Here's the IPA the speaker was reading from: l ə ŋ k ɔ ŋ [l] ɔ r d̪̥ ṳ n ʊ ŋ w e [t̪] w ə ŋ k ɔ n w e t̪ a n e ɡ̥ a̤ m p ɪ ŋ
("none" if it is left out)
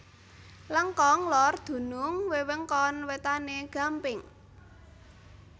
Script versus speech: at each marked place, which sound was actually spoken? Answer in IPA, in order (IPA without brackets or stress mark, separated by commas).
l, none